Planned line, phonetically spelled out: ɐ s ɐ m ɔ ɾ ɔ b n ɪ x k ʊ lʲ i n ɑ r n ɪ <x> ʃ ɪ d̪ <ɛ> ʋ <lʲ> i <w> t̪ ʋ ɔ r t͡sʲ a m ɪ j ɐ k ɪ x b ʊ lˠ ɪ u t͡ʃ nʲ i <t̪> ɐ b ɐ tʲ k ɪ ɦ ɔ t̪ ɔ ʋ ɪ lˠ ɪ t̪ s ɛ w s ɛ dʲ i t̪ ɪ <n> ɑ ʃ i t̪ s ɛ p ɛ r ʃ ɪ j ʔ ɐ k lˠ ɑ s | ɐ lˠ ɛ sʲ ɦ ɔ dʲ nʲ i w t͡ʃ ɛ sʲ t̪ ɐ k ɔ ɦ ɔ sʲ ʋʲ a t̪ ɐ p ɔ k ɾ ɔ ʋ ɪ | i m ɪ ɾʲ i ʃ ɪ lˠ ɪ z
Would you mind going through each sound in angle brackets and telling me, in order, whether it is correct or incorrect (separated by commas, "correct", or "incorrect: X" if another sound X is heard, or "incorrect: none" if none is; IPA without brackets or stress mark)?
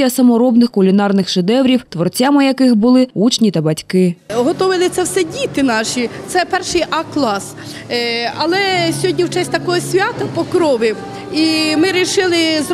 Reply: correct, correct, incorrect: ɾʲ, correct, correct, correct